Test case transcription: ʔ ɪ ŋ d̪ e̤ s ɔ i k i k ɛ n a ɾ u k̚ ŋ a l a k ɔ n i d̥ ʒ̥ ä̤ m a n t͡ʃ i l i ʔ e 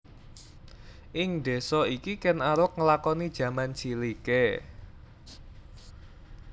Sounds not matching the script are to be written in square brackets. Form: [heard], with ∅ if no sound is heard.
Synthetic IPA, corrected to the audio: ʔ ɪ ŋ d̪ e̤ s ɔ i k i k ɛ n a ɾ [ʊ] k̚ ŋ [ə] l a k ɔ n i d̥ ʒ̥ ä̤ m a n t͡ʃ i l i [k] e